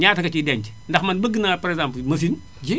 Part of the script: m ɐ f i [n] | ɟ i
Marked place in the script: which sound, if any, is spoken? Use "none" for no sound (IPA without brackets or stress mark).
n